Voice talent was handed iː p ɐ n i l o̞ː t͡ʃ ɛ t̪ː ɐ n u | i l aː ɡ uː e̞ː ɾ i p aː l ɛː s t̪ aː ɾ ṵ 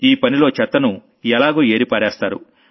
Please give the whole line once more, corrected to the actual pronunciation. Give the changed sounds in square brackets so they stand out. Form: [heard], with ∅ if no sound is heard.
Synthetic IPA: iː p ɐ n i l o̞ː t͡ʃ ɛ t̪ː ɐ n u | [ɛ] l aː ɡ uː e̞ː ɾ i p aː [ɾ] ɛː s t̪ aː ɾ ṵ